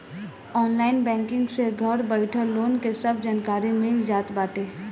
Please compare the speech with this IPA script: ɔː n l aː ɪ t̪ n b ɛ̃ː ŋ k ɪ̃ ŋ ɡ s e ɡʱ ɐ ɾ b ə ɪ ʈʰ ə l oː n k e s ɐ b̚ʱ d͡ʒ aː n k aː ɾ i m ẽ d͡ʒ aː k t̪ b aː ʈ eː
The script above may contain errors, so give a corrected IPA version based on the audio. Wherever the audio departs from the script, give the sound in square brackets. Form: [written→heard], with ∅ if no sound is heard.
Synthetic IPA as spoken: ɔː n l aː ɪ [t̪→∅] n b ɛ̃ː ŋ k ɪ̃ ŋ ɡ s e ɡʱ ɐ ɾ b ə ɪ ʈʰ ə l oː n k e s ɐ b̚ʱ d͡ʒ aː n k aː ɾ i m ẽ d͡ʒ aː [k→∅] t̪ b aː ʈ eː